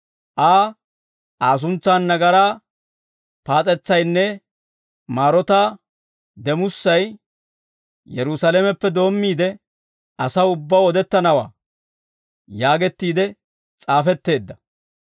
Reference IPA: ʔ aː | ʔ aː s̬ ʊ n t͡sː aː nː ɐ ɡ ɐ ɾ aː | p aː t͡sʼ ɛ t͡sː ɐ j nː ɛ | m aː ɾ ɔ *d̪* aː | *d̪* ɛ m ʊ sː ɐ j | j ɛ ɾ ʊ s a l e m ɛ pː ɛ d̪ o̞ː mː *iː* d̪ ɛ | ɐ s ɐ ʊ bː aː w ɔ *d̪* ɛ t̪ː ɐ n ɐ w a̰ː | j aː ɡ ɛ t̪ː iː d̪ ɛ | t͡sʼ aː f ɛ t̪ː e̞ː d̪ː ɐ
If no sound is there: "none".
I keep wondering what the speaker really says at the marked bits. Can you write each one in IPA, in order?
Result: t̪, d̪, iː, d̪

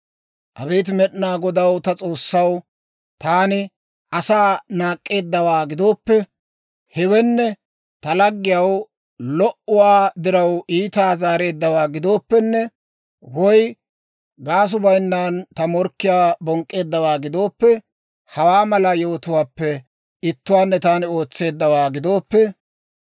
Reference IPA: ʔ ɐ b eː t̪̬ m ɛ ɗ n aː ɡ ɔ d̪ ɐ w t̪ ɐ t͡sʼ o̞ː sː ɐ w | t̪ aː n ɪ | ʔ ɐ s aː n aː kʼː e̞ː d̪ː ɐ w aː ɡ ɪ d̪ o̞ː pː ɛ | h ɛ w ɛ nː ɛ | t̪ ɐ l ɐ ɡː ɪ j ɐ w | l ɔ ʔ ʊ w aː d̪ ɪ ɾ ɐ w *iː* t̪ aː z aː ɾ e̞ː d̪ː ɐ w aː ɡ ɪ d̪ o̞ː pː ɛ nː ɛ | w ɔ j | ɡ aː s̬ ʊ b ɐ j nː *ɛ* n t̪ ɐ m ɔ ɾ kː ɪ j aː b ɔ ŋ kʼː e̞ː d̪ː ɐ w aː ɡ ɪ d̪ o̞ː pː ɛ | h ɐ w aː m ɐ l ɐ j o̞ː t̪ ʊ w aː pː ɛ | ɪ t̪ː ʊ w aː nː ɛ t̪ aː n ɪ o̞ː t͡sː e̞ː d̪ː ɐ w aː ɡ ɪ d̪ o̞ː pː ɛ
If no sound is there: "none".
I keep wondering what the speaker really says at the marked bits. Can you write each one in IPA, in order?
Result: iː, a

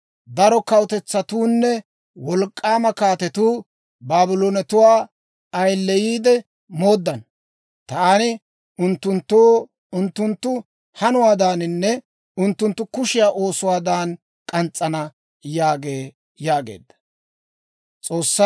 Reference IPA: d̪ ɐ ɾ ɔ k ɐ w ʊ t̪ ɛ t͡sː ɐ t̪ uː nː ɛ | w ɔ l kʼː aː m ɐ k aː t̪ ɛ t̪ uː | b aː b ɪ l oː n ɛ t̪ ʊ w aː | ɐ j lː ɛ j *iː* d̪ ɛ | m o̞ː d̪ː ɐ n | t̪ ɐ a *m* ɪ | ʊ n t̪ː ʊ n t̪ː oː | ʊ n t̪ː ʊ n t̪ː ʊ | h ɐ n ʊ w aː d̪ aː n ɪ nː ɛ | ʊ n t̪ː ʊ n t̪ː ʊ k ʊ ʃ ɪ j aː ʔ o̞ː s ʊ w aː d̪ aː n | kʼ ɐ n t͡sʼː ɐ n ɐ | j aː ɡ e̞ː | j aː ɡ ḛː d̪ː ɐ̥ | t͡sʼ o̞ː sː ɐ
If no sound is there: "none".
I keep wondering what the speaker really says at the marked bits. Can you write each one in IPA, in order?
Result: iː, n

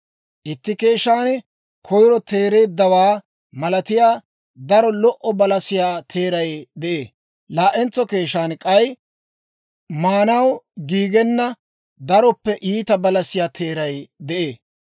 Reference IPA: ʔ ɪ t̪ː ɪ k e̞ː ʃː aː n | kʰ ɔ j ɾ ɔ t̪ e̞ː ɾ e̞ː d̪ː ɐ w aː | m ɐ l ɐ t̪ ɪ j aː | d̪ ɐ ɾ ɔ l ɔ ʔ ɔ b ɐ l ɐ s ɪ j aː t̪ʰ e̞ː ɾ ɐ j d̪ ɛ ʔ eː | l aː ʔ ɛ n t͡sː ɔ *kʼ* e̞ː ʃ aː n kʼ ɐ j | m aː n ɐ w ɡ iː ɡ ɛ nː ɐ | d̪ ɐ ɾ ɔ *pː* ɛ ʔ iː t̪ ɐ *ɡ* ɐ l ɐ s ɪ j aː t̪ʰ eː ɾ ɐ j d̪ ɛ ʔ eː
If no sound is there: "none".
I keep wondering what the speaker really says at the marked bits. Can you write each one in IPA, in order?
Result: k, pː, b

